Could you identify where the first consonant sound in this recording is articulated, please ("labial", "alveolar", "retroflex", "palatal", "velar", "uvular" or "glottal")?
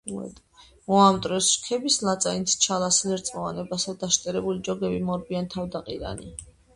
labial